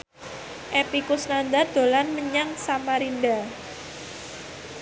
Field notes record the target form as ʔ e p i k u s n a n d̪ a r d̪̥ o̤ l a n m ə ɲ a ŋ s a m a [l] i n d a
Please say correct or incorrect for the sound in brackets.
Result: incorrect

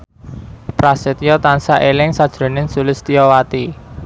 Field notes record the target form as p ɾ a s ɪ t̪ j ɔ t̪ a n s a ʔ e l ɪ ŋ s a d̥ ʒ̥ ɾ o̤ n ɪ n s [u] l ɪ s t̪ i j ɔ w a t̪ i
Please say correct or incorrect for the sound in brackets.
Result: correct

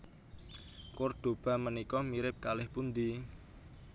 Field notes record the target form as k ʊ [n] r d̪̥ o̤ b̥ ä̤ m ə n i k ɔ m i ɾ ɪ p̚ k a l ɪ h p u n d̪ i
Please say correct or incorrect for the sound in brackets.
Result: incorrect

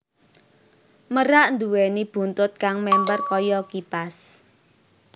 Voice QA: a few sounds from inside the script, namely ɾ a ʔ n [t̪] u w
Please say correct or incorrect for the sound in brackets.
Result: incorrect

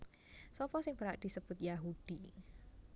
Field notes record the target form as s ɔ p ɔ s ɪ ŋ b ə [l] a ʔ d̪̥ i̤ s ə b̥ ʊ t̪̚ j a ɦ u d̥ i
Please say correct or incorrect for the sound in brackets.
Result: incorrect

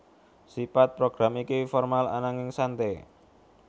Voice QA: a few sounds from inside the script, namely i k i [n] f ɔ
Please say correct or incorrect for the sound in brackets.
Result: incorrect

